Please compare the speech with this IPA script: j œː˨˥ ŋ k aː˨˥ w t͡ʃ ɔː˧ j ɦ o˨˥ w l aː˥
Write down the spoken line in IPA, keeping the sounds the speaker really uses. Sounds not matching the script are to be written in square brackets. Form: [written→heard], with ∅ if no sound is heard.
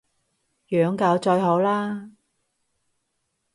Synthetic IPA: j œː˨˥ ŋ k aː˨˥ w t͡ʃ ɔː˧ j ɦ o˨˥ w l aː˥